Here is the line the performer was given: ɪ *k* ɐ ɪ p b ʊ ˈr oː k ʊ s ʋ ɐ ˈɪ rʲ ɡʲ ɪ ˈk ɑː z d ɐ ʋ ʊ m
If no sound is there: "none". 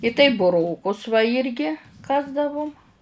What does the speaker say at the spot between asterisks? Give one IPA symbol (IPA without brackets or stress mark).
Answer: t